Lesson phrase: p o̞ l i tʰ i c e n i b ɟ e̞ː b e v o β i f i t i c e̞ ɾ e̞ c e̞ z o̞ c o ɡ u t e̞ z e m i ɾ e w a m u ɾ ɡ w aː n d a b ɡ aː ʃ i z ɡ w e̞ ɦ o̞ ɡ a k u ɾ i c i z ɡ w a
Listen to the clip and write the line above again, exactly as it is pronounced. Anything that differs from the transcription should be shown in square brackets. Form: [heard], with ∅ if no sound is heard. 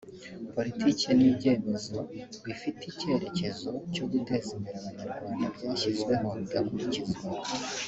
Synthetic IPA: p o̞ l i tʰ i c e n i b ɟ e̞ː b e [z] o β i f i t i c e̞ ɾ e̞ c e̞ z o̞ c o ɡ u t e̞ z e m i ɾ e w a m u ɾ ɡ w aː n d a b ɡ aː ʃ i z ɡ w e̞ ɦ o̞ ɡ a k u ɾ i c i z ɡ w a